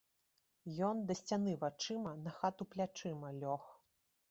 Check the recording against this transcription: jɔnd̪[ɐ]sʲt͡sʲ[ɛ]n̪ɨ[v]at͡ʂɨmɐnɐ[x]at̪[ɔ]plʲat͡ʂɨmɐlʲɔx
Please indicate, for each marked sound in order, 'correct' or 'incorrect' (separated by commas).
correct, incorrect, correct, correct, incorrect